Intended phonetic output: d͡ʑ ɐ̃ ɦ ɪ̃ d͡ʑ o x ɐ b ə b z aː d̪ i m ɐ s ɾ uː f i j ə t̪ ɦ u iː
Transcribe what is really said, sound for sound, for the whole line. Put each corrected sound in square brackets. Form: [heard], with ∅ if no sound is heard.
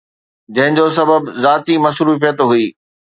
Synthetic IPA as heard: d͡ʑ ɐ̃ ɦ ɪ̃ d͡ʑ o [s] ɐ b ə b z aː [t̪] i m ɐ s ɾ uː f i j ə t̪ ɦ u iː